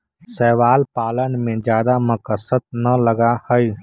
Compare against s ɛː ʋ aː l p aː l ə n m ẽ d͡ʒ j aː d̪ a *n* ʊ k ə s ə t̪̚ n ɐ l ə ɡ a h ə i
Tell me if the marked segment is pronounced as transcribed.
no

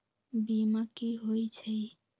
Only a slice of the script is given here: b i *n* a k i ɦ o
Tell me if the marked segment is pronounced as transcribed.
no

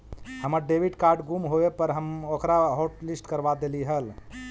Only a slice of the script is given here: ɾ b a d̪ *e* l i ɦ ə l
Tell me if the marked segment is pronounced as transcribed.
yes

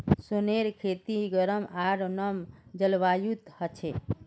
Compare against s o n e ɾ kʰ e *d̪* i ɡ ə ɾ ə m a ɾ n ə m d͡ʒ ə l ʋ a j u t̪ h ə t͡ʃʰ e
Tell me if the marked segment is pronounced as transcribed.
no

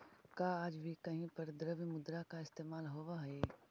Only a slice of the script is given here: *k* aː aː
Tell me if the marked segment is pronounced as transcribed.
yes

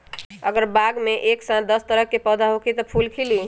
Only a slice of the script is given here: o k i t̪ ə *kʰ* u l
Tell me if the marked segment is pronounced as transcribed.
no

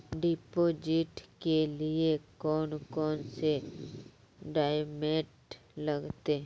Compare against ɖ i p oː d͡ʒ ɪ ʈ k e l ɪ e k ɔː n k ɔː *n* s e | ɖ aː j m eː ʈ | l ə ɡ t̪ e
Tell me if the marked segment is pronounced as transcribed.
yes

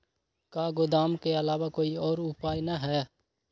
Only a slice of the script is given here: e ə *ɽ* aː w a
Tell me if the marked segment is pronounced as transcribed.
no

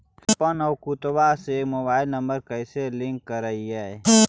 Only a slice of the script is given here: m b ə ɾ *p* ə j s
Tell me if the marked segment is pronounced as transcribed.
no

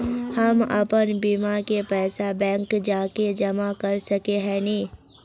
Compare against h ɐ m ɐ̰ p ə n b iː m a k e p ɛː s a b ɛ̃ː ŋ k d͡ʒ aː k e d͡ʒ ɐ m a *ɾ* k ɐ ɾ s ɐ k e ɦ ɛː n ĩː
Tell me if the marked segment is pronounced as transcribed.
no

